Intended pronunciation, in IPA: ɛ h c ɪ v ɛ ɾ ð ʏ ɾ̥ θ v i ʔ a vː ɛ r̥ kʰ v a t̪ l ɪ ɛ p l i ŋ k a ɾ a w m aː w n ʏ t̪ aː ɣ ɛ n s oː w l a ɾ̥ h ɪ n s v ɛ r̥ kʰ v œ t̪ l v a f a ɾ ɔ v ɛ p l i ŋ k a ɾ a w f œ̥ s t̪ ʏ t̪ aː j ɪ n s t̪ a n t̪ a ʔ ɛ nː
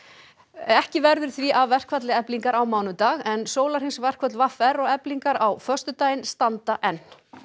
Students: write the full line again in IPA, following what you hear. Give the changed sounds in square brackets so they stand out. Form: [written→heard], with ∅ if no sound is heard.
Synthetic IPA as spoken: ɛ h c ɪ v ɛ ɾ ð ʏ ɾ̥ θ v i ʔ a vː ɛ r̥ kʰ v a t̪ l ɪ ɛ p l i ŋ k a ɾ a w m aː w n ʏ t̪ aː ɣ ɛ n s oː w l a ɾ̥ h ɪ n s v ɛ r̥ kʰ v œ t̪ l v a f [a→ɛ] ɾ ɔ [v→ɣ] ɛ p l i ŋ k a ɾ a w f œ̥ s t̪ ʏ t̪ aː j ɪ n s t̪ a n t̪ a ʔ ɛ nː